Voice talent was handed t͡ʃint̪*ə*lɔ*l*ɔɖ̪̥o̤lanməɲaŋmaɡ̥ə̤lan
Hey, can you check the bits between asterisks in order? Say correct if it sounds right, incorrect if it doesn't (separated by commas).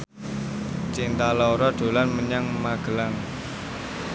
incorrect, incorrect